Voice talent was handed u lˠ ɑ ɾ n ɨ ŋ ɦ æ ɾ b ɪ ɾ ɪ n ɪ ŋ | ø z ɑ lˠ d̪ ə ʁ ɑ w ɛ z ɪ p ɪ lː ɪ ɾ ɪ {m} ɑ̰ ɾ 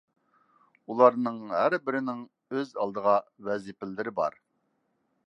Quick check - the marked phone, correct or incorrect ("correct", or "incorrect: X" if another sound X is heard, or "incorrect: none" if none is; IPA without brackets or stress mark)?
incorrect: b